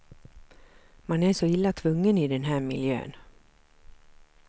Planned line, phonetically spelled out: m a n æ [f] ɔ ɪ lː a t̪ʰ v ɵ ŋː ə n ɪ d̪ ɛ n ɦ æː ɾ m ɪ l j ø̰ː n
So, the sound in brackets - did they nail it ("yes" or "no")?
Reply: no